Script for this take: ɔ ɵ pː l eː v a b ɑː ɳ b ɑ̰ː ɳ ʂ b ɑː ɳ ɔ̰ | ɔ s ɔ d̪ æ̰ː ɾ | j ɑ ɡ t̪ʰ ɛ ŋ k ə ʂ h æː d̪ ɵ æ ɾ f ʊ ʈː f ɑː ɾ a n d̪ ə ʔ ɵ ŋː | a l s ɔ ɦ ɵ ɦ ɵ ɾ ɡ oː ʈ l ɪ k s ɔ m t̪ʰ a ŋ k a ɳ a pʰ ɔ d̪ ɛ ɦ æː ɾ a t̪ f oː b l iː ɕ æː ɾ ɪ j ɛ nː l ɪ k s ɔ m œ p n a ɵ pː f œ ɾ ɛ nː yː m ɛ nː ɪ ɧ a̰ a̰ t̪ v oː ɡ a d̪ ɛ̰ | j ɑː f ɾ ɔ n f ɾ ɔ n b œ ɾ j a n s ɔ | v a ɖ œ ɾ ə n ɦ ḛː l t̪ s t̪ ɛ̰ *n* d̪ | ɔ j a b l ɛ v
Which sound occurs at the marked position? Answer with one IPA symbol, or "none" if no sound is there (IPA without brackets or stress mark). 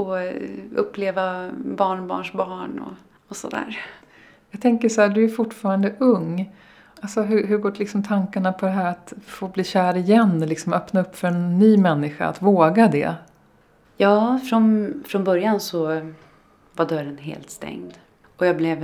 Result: ŋ